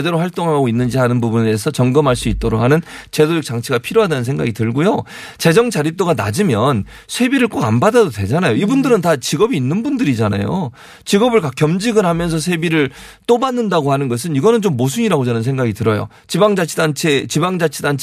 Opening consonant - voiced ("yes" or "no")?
yes